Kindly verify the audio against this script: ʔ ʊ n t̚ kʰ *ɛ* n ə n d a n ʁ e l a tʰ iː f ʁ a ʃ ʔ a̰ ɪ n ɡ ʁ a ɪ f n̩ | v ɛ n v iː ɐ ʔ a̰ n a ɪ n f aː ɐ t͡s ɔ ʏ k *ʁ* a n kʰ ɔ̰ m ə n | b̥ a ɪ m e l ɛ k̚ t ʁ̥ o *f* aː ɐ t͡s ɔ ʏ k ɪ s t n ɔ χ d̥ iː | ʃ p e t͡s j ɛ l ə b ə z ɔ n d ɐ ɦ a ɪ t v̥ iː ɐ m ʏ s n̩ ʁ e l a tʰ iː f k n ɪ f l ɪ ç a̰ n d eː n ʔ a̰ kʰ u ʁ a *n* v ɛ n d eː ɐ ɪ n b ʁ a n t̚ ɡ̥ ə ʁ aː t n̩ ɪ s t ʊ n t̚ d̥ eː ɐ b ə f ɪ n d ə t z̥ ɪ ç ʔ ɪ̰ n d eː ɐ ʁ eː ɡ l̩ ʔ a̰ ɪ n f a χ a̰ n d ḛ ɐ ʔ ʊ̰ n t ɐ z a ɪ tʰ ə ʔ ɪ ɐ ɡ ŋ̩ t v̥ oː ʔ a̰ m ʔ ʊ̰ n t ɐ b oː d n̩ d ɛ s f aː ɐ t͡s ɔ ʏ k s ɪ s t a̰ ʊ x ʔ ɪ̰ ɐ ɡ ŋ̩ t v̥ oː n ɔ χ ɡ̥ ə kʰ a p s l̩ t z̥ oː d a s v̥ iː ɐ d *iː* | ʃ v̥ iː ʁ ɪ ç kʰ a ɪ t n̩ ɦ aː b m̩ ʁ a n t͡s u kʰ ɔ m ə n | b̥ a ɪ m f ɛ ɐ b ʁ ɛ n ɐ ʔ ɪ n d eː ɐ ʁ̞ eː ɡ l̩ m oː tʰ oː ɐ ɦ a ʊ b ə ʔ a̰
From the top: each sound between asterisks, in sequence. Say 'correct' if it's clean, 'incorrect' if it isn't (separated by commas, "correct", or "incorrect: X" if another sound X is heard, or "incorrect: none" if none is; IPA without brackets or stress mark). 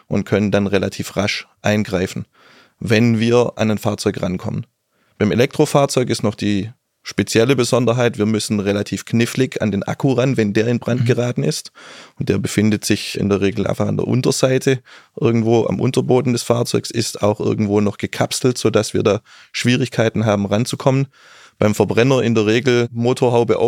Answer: incorrect: œ, correct, correct, correct, incorrect: aː